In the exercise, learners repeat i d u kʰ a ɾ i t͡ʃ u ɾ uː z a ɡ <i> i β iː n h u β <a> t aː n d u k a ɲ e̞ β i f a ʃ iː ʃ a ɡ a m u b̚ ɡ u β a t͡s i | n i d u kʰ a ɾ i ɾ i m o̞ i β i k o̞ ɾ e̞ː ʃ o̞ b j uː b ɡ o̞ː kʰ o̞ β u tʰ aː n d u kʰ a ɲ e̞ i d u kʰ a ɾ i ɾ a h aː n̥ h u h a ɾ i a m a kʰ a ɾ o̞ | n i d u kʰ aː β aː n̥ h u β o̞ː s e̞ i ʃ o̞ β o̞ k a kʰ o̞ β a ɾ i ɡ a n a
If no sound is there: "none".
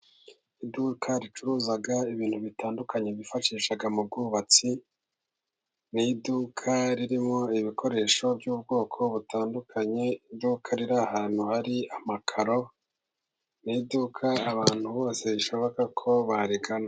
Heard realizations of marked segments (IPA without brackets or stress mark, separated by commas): a, i